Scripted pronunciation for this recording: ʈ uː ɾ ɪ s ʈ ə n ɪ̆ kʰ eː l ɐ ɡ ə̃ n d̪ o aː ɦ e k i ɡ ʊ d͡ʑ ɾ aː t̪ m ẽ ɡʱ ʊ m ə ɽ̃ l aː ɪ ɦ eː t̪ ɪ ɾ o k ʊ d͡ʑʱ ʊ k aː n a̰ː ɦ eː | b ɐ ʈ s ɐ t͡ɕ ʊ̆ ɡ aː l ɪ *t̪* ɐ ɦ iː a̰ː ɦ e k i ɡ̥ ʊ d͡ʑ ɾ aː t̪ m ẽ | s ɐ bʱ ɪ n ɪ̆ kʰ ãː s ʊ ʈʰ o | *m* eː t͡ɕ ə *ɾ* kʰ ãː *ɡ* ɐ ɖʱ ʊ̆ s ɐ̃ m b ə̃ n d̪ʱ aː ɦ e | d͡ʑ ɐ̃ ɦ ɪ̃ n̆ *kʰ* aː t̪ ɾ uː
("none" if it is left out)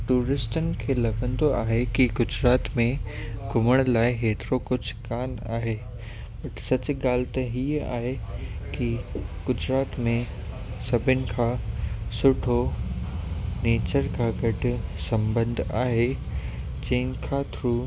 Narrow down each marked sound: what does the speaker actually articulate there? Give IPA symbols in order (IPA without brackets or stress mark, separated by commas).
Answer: t̪, n, ɾ, ɡ, kʰ